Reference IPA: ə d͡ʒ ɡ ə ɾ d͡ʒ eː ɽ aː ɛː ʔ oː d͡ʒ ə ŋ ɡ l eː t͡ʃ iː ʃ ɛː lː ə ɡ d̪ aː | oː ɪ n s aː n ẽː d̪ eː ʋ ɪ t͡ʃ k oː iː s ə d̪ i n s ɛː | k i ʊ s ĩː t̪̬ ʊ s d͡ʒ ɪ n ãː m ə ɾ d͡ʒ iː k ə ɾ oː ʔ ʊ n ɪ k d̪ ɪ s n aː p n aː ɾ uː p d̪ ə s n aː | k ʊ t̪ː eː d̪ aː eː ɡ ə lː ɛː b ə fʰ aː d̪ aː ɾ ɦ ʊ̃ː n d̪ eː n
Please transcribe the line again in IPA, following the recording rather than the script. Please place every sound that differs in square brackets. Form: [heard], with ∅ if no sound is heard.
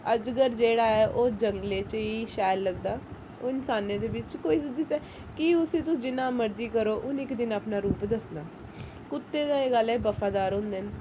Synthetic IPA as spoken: ə d͡ʒ ɡ ə ɾ d͡ʒ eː ɽ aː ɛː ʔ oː d͡ʒ ə ŋ ɡ l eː t͡ʃ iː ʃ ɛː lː ə ɡ d̪ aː | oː ɪ n s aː n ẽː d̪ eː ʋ ɪ t͡ʃ k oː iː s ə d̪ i [∅] s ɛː | k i ʊ s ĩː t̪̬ ʊ s d͡ʒ ɪ n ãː m ə ɾ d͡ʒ iː k ə ɾ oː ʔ ʊ n ɪ k d̪ ɪ [∅] n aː p n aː ɾ uː p d̪ ə s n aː | k ʊ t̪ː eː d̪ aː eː ɡ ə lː ɛː b ə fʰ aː d̪ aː ɾ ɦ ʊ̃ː n d̪ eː n